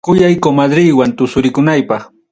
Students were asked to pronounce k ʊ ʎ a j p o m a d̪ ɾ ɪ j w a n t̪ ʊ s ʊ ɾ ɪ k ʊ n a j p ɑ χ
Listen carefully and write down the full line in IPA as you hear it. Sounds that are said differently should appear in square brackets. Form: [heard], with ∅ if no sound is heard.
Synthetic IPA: k ʊ [j] a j [k] o m a d̪ ɾ ɪ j w a n t̪ ʊ s ʊ ɾ ɪ k ʊ n a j p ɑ χ